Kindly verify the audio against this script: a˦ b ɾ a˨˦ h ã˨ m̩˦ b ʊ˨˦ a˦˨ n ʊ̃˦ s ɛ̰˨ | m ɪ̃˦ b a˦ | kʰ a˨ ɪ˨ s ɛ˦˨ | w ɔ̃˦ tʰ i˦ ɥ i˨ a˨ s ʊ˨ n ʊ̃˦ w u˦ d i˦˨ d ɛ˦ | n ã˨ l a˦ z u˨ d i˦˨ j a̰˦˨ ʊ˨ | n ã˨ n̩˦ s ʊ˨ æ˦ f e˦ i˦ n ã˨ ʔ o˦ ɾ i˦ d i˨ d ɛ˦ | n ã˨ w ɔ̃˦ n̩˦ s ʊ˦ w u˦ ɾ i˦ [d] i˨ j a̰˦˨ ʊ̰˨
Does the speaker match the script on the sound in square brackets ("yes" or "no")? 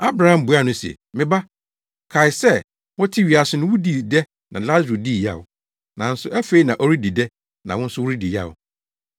yes